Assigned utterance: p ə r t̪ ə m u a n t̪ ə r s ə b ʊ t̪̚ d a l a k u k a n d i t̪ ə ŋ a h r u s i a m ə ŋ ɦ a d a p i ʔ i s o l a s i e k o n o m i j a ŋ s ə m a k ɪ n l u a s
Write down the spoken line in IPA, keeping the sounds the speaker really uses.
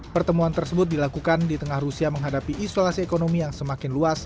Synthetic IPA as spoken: p ə r t̪ ə m u a n t̪ ə r s ə b ʊ t̪̚ d i l a k u k a n d i t̪ ə ŋ a h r u s i a m ə ŋ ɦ a d a p i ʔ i s o l a s i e k o n o m i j a ŋ s ə m a k ɪ n l u a s